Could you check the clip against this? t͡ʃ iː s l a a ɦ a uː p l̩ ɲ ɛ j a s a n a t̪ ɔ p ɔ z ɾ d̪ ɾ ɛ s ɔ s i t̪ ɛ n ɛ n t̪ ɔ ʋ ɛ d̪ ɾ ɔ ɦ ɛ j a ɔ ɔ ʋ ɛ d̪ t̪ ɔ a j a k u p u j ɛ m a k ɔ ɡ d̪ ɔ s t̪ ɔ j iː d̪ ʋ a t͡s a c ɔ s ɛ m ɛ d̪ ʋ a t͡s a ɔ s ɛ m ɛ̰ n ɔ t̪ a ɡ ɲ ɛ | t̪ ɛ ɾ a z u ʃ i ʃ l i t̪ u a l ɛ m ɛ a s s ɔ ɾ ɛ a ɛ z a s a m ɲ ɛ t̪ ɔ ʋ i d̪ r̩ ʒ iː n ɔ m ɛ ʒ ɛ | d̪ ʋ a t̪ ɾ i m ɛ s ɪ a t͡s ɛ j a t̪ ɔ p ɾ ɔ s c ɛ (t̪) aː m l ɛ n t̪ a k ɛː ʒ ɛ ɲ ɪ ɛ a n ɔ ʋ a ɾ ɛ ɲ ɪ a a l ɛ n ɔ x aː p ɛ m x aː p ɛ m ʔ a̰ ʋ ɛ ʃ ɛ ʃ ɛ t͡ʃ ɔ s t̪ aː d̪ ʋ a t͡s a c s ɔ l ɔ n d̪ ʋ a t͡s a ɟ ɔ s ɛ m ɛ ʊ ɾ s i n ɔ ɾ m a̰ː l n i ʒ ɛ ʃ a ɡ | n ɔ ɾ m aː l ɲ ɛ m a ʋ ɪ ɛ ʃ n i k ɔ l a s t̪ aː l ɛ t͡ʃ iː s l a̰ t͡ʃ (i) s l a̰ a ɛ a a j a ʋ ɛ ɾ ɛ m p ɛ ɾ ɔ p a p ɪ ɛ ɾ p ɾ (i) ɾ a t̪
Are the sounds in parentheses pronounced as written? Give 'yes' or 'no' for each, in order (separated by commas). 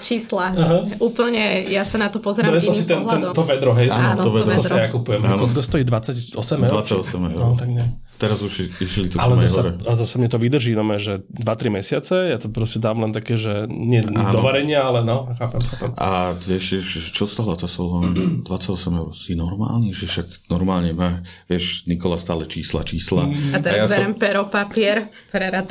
no, no, no